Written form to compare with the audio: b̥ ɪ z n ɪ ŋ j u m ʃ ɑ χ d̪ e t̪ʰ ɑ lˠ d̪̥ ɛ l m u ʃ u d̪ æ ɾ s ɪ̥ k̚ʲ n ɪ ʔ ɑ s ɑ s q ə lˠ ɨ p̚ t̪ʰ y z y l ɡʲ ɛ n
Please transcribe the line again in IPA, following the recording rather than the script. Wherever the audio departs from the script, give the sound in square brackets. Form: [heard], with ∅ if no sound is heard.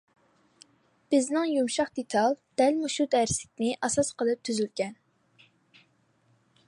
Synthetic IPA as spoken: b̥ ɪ z n ɪ ŋ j u m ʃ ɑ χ d̪ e t̪ʰ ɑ lˠ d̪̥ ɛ l m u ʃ u d̪ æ ɾ s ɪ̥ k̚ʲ n ɪ ʔ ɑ s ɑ s q ə lˠ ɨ p̚ t̪ʰ y z y l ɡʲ ɛ n

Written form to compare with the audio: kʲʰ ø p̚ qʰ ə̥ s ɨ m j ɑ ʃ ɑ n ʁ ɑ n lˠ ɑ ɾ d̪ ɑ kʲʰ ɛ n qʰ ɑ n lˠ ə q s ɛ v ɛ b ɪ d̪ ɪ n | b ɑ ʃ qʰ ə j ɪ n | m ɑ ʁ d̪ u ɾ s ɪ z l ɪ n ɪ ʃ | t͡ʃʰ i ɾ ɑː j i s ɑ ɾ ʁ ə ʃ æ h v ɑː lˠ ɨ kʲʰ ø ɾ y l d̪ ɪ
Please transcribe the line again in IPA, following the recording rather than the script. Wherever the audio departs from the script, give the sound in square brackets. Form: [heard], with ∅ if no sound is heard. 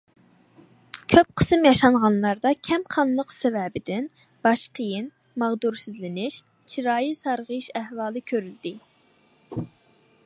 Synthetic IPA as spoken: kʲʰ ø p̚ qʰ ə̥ s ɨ m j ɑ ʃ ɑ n ʁ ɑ n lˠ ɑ ɾ d̪ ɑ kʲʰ ɛ [m] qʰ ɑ n lˠ ə q s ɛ v ɛ b ɪ d̪ ɪ n | b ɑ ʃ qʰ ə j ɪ n | m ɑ ʁ d̪ u ɾ s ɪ z l ɪ n ɪ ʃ | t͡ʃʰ i ɾ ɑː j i s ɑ ɾ ʁ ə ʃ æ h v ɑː lˠ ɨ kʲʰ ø ɾ y l d̪ ɪ

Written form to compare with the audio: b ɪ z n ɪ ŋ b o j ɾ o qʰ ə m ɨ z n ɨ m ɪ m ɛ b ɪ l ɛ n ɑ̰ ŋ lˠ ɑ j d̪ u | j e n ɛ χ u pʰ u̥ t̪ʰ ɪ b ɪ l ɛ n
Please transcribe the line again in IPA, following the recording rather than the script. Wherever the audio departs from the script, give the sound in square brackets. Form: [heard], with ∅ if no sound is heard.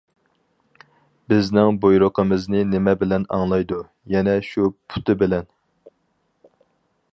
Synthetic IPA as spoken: b ɪ z n ɪ ŋ b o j ɾ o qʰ ə m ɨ z n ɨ [n] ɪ m ɛ b ɪ l ɛ n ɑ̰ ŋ lˠ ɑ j d̪ u | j [ɛ] n ɛ [ʃ] u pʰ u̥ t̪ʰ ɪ b ɪ l ɛ n

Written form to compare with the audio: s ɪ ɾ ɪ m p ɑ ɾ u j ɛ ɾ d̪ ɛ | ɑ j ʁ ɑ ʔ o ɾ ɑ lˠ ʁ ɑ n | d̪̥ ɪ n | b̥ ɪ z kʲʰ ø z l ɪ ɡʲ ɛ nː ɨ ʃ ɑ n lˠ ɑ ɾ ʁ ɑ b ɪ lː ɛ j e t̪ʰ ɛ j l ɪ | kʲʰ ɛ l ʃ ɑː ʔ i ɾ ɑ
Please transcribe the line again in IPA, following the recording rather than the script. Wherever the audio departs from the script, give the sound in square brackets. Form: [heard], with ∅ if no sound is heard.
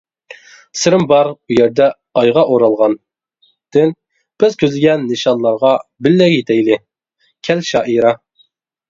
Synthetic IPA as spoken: s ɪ ɾ ɪ m [b] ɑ ɾ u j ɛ ɾ d̪ ɛ | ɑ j ʁ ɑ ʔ o ɾ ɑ lˠ ʁ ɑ n | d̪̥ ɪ n | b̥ ɪ z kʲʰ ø z l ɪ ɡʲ ɛ nː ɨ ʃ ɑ n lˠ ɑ ɾ ʁ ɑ b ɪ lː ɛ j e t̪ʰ ɛ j l ɪ | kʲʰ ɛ l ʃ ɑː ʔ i ɾ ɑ

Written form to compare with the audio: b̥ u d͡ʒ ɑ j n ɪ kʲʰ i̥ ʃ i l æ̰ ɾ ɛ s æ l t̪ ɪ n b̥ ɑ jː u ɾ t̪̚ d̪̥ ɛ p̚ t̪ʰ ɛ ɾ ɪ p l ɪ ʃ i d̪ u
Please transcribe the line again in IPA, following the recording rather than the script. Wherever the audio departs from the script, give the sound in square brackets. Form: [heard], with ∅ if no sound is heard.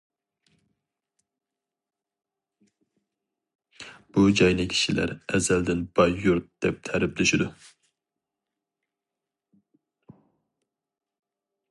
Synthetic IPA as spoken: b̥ u d͡ʒ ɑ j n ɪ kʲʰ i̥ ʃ i l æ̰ ɾ ɛ [z] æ l [d̪] ɪ n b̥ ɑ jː u ɾ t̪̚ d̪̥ ɛ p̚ t̪ʰ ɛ ɾ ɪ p l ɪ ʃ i d̪ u

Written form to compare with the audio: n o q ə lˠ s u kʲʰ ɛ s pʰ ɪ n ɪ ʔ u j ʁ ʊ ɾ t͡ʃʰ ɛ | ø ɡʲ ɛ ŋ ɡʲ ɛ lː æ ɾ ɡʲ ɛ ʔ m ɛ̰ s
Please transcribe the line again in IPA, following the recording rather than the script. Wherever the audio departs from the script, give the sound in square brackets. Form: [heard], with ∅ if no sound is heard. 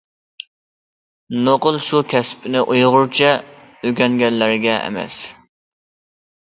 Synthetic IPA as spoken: n o q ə lˠ [ʃ] u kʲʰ ɛ s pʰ ɪ n ɪ ʔ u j ʁ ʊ ɾ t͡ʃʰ ɛ | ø ɡʲ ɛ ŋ ɡʲ ɛ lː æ ɾ ɡʲ ɛ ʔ m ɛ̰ s

